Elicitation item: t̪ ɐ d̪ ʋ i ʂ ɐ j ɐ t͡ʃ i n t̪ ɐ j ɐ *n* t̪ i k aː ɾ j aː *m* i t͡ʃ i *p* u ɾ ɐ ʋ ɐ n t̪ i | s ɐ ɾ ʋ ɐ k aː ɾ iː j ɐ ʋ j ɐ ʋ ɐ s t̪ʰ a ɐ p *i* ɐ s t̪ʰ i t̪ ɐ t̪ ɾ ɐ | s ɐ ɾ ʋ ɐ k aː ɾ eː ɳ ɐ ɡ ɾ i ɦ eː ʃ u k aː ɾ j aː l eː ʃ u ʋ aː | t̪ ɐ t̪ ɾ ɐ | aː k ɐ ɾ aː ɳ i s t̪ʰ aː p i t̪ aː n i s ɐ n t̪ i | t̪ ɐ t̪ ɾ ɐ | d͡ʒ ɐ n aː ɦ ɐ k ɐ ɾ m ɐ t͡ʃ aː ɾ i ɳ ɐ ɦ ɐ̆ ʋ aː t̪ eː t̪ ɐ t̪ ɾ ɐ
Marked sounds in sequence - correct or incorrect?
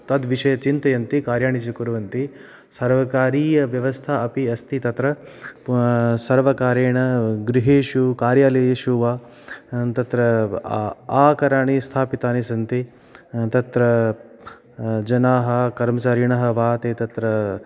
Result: correct, incorrect, incorrect, correct

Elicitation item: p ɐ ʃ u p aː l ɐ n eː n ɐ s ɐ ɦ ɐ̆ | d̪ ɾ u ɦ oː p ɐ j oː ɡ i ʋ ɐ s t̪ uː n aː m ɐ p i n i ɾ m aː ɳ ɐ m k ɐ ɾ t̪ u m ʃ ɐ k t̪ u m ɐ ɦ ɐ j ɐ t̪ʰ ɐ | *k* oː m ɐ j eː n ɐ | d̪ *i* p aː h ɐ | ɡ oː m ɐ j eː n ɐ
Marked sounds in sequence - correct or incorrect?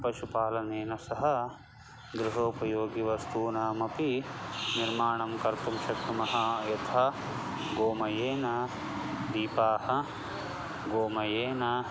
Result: incorrect, incorrect

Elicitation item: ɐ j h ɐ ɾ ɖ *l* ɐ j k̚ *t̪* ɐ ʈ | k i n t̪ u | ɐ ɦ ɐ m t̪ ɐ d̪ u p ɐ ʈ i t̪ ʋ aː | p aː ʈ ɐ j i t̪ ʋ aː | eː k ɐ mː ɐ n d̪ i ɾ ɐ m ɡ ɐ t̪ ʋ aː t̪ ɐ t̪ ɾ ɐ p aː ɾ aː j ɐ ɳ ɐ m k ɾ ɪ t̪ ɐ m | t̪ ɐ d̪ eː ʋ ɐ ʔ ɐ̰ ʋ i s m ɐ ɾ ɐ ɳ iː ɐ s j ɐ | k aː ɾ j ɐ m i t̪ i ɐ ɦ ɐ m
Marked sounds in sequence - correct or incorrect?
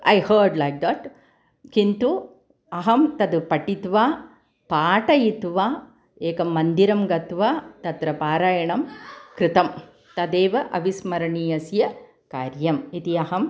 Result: correct, incorrect

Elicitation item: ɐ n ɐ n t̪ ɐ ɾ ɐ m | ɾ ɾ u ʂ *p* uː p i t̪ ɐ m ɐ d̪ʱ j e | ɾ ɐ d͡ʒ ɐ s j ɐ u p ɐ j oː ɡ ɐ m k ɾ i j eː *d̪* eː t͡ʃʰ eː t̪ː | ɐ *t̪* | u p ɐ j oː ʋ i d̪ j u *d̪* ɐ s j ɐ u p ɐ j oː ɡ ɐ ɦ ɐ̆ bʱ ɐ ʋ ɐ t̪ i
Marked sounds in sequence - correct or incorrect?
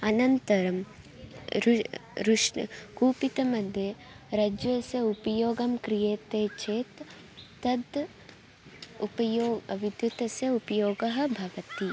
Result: incorrect, incorrect, incorrect, incorrect

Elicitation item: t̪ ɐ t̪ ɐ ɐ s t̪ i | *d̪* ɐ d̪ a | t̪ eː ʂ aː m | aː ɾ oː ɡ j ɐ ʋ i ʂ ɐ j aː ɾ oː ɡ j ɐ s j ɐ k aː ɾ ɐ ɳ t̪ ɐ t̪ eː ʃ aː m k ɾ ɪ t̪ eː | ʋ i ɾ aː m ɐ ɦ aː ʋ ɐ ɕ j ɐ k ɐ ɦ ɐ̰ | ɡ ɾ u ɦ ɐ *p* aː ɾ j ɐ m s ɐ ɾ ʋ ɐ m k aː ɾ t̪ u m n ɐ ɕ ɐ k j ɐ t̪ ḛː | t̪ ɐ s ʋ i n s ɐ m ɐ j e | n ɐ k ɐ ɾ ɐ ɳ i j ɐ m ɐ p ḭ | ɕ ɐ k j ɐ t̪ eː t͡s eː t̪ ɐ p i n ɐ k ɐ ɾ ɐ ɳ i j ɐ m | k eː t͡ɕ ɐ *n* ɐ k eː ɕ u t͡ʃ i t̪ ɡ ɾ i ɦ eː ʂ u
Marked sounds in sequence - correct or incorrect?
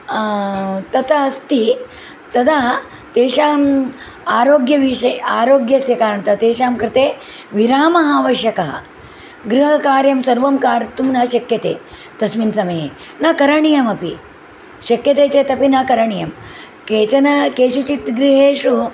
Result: incorrect, incorrect, correct

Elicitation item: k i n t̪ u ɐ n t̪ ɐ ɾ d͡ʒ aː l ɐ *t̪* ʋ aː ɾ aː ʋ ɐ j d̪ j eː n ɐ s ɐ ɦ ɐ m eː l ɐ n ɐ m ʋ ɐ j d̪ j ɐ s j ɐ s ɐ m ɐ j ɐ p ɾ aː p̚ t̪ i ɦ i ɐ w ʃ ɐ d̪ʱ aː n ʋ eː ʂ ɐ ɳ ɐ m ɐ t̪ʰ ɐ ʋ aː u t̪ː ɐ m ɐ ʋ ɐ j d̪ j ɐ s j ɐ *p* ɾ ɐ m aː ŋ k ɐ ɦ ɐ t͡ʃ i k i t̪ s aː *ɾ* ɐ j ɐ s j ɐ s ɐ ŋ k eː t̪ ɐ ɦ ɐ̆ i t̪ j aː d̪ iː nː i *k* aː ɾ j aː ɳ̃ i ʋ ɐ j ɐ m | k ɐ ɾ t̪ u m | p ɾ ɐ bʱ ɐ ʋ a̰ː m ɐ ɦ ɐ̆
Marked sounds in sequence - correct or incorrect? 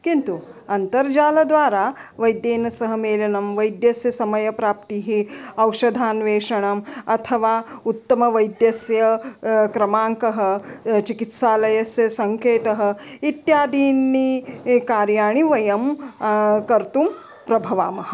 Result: incorrect, incorrect, incorrect, correct

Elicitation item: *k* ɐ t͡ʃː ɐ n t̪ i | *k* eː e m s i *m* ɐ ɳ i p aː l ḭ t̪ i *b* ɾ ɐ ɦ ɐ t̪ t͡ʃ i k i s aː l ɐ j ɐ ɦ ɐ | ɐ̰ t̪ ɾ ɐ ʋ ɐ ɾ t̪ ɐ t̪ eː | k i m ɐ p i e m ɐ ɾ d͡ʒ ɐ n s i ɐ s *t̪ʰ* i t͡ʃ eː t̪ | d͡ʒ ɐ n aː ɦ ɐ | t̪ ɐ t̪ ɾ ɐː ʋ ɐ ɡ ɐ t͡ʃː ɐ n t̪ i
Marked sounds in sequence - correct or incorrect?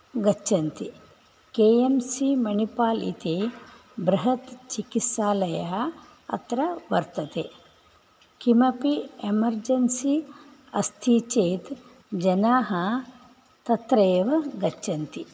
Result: incorrect, correct, correct, correct, correct

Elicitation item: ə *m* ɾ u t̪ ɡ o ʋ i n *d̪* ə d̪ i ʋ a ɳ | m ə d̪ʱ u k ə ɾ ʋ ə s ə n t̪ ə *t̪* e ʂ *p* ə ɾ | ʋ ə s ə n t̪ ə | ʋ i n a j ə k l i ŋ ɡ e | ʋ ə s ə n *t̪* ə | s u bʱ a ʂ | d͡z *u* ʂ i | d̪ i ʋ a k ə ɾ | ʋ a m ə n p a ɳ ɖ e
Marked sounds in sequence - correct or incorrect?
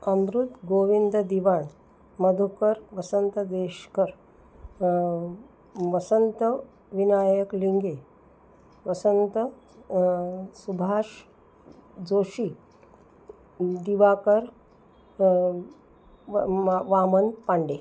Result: correct, correct, incorrect, incorrect, correct, incorrect

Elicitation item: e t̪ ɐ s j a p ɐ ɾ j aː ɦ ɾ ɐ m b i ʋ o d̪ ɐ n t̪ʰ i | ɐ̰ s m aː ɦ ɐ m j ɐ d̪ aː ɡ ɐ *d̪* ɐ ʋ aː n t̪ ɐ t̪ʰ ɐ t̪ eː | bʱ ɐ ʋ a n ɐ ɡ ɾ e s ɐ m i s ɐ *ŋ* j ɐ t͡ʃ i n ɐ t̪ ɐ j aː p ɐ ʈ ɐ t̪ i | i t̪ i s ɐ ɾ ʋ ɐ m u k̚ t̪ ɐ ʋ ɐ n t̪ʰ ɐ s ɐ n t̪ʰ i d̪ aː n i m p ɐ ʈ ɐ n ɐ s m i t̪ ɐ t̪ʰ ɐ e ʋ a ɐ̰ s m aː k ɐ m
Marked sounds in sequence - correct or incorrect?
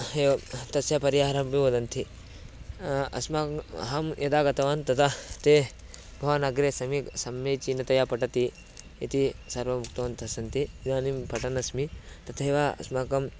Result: incorrect, incorrect

